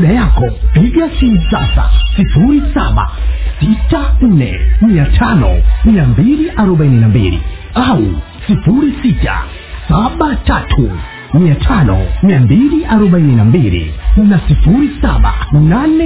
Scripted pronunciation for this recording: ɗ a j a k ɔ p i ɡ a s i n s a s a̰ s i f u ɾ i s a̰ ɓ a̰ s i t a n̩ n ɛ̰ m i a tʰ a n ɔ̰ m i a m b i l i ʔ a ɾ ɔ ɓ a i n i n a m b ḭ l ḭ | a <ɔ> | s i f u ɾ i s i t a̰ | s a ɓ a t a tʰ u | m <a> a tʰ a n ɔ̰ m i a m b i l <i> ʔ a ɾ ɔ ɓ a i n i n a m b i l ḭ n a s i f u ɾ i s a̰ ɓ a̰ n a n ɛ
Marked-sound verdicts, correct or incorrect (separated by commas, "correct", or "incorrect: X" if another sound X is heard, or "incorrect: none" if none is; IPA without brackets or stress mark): incorrect: u, incorrect: i, correct